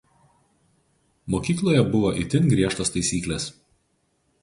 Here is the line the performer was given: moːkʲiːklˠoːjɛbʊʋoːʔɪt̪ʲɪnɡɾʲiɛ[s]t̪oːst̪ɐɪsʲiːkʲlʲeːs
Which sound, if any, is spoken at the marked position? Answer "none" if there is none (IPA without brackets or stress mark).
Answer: ʃ